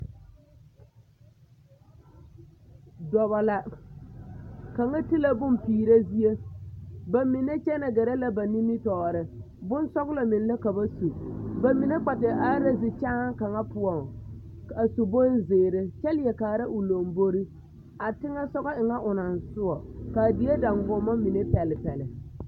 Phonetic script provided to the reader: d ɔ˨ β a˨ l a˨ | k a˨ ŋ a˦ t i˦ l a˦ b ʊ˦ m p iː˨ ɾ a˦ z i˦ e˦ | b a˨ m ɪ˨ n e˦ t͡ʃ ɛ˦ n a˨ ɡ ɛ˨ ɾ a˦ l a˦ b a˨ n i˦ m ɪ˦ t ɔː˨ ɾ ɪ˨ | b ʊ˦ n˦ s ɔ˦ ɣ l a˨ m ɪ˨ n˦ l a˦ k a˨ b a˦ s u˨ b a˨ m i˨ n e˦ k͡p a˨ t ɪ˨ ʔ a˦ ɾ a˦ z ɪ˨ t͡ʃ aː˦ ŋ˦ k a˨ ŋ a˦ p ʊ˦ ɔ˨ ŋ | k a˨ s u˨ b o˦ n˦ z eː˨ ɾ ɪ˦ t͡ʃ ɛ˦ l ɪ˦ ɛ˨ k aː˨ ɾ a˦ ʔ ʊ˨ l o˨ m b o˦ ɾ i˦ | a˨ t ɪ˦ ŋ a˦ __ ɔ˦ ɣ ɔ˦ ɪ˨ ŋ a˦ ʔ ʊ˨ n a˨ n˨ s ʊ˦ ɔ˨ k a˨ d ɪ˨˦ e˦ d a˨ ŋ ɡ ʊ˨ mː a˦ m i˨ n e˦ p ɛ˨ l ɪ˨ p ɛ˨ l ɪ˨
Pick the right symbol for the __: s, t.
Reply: s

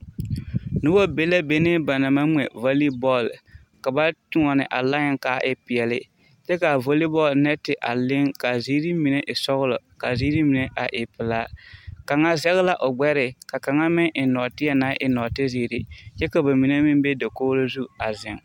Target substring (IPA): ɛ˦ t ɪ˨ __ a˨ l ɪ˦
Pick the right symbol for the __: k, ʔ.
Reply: ʔ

